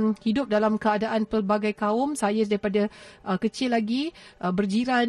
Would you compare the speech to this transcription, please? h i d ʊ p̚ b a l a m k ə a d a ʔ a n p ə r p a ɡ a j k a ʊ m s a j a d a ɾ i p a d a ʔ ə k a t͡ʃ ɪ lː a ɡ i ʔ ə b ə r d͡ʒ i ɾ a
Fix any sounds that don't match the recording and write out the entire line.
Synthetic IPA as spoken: h i d ʊ p̚ d a l a m k ə a d a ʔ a n p ə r b a ɡ a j k a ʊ m s a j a d a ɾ i p a d a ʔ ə k ə t͡ʃ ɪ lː a ɡ i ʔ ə b ə r d͡ʒ i ɾ a